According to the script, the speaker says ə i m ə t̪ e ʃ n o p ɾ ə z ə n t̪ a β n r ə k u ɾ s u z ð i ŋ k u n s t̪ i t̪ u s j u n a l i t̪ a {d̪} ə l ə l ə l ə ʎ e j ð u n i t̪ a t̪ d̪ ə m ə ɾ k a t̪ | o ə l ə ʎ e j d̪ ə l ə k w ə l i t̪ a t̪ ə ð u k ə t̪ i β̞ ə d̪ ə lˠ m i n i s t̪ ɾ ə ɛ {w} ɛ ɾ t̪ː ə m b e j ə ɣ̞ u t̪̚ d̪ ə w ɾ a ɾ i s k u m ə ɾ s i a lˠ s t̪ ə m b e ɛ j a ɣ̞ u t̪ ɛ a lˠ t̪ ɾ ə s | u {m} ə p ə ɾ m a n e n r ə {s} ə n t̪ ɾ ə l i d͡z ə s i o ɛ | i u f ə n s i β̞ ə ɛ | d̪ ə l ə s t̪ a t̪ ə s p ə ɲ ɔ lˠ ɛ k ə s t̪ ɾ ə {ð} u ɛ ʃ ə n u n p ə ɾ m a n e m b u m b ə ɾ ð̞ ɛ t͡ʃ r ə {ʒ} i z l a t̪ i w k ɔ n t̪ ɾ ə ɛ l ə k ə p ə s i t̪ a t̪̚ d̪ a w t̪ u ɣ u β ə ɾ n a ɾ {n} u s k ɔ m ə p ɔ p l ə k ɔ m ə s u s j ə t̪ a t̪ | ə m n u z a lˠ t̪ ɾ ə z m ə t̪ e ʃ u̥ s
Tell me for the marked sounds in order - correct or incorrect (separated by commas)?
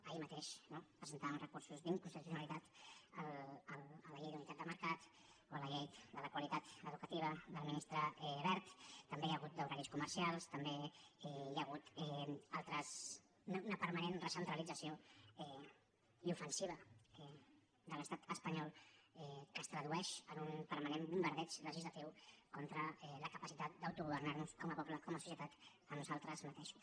incorrect, incorrect, incorrect, correct, correct, correct, correct